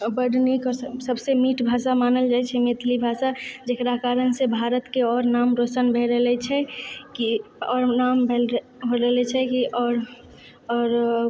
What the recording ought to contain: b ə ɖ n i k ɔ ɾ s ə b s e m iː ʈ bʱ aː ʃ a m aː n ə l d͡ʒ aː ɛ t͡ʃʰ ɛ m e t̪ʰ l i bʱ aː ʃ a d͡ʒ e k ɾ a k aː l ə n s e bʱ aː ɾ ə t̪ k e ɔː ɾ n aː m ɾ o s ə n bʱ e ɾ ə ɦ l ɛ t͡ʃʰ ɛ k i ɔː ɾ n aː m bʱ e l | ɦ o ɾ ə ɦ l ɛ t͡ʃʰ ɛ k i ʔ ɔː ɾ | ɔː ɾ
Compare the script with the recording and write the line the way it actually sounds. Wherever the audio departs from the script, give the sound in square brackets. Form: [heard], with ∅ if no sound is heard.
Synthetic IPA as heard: b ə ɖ n i k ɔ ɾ s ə b s e m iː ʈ bʱ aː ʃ a m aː n ə l d͡ʒ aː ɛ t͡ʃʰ ɛ m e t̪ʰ l i bʱ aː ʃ a d͡ʒ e k ɾ a k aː [ɾ] ə n s e bʱ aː ɾ ə t̪ k e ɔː ɾ n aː m ɾ o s ə n bʱ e ɾ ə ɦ l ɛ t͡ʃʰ ɛ k i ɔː ɾ n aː m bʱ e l | ɦ o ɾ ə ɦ l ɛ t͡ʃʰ ɛ k i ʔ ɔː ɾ | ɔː ɾ